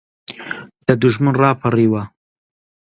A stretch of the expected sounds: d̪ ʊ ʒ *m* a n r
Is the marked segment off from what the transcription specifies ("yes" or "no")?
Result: no